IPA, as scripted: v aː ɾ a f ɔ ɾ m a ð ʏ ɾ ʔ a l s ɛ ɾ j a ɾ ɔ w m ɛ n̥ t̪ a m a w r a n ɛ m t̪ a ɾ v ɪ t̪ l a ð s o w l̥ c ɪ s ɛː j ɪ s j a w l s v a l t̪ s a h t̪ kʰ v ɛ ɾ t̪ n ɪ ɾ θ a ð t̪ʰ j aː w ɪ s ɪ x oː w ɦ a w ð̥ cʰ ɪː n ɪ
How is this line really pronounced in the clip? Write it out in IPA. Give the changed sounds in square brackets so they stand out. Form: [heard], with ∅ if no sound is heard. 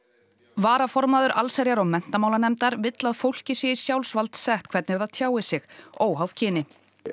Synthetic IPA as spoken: v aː ɾ a f ɔ ɾ m a ð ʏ ɾ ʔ a l s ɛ ɾ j a ɾ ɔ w m ɛ n̥ t̪ a m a w [l] a n ɛ m t̪ a ɾ v ɪ t̪ l a ð [f] o w l̥ c ɪ s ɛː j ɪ s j a w l s v a l t̪ s [ɛ] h t̪ kʰ v ɛ ɾ t̪ n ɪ ɾ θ a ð t̪ʰ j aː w ɪ s ɪ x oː w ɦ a w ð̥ cʰ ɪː n ɪ